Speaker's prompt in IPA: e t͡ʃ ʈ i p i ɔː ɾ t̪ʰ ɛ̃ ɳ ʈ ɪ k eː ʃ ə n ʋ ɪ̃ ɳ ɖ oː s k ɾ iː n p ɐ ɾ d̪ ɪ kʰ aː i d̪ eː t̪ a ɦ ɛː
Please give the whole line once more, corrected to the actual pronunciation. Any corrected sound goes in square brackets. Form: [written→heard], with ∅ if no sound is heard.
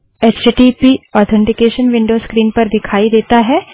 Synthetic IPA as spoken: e t͡ʃ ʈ i p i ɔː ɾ t̪ʰ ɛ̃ ɳ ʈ ɪ k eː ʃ ə n ʋ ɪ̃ ɳ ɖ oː s k ɾ iː n p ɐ ɾ d̪ ɪ kʰ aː i d̪ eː t̪ a ɦ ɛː